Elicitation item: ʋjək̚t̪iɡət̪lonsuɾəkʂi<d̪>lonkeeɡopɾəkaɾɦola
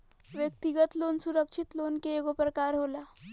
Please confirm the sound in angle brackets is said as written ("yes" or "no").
no